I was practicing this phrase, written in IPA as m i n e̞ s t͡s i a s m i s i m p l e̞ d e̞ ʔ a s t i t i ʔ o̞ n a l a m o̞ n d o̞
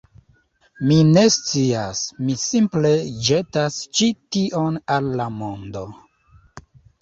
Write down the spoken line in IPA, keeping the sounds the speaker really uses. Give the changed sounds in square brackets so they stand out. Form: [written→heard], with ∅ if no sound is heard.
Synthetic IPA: m i n e̞ s t͡s i a s m i s i m p l e̞ [d→d͡ʒ] e̞ [ʔ→t] a s [t→t͡ʃ] i t i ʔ o̞ n a [l→lː] a m o̞ n d o̞